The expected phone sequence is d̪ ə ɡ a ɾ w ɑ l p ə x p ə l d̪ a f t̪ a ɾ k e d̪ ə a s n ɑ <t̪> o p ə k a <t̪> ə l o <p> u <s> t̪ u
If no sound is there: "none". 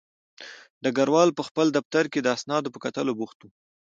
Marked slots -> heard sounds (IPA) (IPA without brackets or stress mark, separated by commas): d̪, t̪, b, x